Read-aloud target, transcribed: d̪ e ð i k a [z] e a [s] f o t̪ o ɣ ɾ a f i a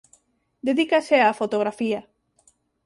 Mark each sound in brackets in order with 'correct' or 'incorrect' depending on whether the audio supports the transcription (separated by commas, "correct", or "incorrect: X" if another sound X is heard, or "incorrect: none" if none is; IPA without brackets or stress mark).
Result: incorrect: s, incorrect: none